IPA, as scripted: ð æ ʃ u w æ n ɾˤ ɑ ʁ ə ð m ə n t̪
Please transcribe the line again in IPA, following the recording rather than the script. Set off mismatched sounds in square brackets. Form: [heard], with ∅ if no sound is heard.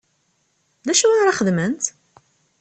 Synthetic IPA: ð æ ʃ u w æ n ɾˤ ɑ [χ] ə ð m ə n t̪

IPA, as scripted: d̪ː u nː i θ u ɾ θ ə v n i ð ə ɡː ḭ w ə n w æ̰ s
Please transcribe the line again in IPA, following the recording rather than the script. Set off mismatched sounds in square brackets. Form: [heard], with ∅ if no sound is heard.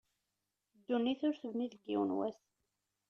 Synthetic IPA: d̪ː u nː i θ [ʊ] ɾ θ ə v n i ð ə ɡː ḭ w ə n w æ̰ s

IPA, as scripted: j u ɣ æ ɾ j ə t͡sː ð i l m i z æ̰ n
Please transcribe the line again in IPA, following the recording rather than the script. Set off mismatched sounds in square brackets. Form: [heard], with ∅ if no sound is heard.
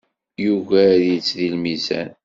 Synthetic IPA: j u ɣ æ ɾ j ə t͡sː ð i l m i z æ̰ n

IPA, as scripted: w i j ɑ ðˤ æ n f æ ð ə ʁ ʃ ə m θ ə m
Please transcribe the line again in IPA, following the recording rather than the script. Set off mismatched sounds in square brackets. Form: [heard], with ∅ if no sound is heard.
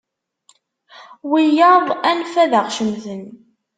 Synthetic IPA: w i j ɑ ðˤ æ n f æ ð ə ʁ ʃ ə m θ ə [n]

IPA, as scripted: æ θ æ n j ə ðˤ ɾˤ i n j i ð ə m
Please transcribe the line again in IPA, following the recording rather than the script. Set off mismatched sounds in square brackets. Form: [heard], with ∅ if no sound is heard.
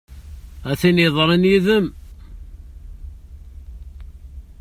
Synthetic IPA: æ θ [i] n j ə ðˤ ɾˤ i n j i ð ə m

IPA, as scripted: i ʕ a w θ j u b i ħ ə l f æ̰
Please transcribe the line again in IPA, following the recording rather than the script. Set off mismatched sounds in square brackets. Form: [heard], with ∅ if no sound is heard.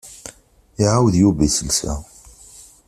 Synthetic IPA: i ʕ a w [ð] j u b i [s] ə l [s] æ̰

